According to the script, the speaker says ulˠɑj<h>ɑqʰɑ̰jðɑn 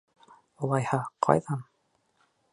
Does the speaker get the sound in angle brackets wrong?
no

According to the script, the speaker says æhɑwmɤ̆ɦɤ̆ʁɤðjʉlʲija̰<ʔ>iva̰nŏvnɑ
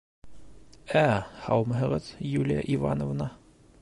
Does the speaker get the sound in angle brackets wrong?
no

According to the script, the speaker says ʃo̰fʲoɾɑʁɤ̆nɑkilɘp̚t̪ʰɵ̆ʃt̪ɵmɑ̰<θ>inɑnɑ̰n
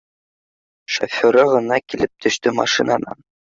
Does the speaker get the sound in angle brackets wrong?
yes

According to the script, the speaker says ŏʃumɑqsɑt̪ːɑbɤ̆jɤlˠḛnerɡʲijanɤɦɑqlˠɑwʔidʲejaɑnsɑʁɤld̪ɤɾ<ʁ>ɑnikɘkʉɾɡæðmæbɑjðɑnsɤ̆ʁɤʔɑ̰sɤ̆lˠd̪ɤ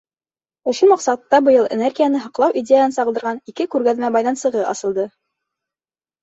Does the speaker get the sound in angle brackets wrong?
no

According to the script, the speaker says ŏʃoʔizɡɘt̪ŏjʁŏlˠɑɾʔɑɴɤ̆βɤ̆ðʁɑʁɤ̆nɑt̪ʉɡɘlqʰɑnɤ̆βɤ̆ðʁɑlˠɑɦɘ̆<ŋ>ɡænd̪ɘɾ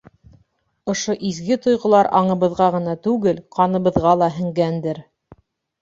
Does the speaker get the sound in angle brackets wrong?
no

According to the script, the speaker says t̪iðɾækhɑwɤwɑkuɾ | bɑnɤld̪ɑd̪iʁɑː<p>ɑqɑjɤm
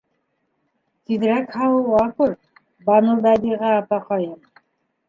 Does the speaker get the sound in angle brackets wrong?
no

